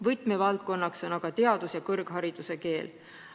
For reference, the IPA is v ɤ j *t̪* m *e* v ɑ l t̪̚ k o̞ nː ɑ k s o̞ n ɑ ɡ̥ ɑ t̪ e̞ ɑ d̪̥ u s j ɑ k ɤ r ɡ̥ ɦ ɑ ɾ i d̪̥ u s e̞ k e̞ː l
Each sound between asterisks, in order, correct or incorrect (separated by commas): correct, correct